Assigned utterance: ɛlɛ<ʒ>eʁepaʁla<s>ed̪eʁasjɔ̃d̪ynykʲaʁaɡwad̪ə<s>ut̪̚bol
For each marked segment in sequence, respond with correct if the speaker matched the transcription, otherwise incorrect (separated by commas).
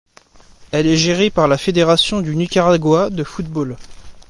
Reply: correct, incorrect, incorrect